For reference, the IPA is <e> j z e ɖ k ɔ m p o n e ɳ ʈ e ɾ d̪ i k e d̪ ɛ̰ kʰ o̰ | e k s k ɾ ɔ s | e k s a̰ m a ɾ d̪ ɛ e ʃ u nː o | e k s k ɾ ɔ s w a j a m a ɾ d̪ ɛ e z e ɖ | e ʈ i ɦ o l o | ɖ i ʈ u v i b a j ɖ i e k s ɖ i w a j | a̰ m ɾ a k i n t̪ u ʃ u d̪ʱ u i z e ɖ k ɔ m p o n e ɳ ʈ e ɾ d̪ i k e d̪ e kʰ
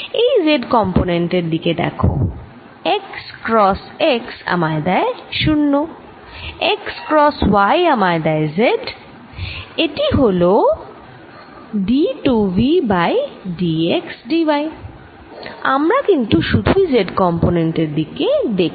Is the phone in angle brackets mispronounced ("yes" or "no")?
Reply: no